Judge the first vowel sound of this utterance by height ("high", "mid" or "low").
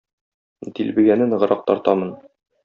high